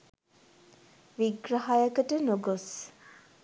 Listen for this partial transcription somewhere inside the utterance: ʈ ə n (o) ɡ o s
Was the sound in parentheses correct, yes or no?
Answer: yes